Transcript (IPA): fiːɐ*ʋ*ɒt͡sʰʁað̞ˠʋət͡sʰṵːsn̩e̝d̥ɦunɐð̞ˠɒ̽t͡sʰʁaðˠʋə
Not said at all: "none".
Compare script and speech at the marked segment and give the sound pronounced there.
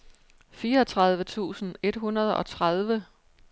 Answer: none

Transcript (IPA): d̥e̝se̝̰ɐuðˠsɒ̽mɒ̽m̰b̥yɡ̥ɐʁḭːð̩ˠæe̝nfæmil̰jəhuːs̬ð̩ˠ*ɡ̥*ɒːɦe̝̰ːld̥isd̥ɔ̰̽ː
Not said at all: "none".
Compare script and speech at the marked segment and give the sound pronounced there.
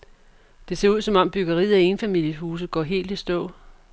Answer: ɡ̥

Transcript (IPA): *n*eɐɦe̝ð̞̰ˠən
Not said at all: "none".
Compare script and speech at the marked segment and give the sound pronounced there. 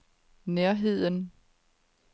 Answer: n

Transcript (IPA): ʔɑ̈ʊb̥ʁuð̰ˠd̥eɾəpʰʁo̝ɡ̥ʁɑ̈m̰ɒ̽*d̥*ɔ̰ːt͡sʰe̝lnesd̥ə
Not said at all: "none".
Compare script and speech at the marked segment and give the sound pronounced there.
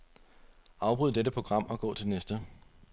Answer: ɡ̥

